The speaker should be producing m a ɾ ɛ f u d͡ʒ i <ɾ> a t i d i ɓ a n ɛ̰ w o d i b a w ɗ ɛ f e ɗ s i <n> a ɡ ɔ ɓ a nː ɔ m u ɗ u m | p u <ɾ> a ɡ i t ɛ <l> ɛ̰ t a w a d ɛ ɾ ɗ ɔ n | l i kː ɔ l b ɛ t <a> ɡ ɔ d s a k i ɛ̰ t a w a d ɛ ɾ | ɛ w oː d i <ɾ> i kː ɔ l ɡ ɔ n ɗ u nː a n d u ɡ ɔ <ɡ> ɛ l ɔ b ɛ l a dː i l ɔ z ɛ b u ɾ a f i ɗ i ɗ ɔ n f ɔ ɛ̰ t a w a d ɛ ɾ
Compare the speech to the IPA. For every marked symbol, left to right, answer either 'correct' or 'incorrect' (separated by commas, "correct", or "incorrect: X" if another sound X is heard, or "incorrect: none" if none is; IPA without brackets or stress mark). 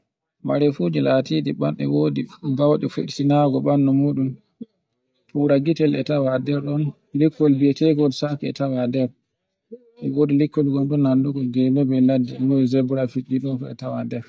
incorrect: l, correct, correct, correct, incorrect: ɛ, incorrect: l, correct